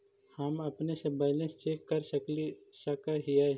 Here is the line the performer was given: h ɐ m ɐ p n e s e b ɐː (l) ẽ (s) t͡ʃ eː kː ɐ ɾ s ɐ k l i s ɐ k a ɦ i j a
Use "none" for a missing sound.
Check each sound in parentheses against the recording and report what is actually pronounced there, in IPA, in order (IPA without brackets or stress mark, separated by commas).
l, s